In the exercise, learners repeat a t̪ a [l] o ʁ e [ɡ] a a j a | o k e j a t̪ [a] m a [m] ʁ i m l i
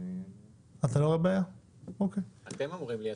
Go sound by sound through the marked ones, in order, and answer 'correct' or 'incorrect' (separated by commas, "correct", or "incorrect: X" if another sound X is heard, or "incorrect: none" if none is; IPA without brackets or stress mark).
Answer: correct, incorrect: b, incorrect: e, correct